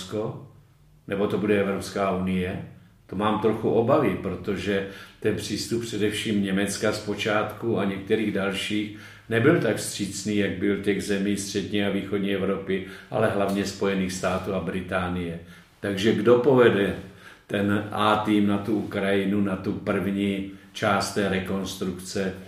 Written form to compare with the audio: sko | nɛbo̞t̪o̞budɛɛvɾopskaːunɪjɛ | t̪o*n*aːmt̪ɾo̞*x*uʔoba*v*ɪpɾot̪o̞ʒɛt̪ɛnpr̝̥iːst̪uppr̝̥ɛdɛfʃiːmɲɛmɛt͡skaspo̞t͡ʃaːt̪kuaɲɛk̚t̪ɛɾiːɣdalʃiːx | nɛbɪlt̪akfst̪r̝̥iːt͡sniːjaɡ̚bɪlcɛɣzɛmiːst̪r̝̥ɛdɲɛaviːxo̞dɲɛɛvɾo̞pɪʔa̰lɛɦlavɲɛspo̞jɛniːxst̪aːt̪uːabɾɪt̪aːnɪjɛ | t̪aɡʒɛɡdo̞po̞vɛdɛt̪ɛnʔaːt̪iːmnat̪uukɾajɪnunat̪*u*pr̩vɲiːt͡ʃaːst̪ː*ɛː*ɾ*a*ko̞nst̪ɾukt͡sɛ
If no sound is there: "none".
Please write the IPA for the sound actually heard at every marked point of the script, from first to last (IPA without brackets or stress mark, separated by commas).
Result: m, x, v, u, ɛː, ɛ